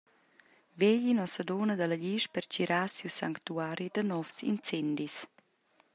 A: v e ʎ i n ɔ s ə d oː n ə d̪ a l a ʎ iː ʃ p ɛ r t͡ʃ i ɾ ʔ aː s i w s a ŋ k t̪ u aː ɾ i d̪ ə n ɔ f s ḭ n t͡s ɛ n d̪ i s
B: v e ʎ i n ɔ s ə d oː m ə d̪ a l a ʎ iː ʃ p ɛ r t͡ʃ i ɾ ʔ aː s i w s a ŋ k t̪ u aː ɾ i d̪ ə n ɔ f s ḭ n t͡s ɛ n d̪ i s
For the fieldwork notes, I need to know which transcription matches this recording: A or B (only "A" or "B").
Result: A